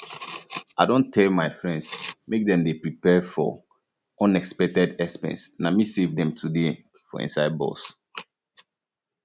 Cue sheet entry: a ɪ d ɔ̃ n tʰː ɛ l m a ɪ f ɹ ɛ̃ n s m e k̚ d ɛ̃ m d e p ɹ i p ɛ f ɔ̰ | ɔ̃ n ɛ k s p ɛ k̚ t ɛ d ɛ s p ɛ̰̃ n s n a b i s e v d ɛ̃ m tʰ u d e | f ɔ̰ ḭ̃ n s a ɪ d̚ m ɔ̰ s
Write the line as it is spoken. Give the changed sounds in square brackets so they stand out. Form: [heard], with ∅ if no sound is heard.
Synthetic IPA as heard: a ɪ d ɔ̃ n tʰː ɛ l m a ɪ f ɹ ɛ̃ n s m e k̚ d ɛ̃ m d e p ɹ i p ɛ f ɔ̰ | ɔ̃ n ɛ k s p ɛ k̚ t ɛ d ɛ s p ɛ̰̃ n s n a [m] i s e v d ɛ̃ m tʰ u d e | f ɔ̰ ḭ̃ n s a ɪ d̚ [b] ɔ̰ s